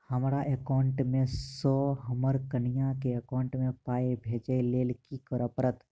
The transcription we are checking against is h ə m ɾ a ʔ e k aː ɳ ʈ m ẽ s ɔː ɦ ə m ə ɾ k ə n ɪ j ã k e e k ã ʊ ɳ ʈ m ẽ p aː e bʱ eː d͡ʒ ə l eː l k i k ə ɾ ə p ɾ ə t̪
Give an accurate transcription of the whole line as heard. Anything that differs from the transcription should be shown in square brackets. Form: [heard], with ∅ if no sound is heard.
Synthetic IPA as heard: h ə m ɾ a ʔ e k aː ɳ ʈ m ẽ s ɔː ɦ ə m ə ɾ k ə n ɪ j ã k e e k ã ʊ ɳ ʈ m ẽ p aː e bʱ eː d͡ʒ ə l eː l k i k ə ɾ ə p ɾ ə t̪